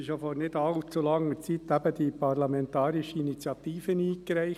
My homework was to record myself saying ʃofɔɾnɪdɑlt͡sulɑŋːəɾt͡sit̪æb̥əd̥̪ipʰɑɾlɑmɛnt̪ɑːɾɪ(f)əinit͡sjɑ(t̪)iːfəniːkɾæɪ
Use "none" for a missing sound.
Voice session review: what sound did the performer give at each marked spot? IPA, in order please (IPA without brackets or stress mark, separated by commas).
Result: ʃ, t̪